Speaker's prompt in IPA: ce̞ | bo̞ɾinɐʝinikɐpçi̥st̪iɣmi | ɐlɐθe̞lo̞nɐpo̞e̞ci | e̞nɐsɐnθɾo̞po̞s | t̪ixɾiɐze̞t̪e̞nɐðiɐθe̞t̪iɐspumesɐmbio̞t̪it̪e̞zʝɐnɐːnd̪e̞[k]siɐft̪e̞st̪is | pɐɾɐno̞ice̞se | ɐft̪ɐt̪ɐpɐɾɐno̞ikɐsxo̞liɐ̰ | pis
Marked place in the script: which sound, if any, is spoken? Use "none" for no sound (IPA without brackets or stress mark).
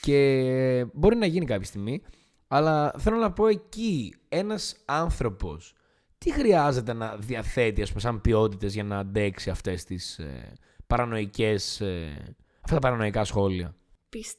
k